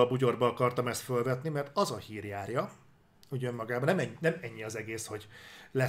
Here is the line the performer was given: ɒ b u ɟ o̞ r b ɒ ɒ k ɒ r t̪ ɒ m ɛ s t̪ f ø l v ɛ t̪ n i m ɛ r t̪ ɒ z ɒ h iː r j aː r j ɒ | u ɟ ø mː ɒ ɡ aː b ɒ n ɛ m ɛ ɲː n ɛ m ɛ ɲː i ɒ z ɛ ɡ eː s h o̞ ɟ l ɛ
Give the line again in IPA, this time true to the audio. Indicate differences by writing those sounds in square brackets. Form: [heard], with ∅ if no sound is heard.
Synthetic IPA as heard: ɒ b u ɟ o̞ r b ɒ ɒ k ɒ r t̪ ɒ m ɛ s t̪ f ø l v ɛ t̪ n i m ɛ r t̪ ɒ z ɒ h iː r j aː r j ɒ | u ɟ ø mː ɒ ɡ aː b ɒ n ɛ m ɛ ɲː n ɛ m ɛ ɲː i ɒ z ɛ ɡ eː s h o̞ ɟ l ɛ